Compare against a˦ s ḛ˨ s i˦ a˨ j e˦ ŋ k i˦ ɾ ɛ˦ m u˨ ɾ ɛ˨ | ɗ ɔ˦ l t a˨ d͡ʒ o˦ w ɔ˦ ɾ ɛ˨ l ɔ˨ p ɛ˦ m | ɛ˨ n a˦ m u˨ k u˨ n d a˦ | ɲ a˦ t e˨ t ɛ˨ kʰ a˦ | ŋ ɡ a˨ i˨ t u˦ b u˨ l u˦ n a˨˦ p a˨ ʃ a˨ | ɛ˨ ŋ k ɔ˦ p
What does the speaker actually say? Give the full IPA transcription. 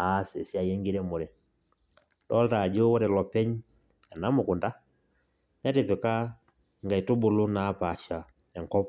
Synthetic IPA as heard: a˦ s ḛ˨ s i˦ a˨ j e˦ ŋ ɡ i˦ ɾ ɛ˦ m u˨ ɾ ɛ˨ | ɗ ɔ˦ l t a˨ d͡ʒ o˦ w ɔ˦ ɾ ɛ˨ l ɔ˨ p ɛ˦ ɲ | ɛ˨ n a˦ m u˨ k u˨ n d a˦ | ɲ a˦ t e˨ p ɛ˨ k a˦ | ŋ ɡ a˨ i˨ t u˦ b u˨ l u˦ n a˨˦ p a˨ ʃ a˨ | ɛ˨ ŋ k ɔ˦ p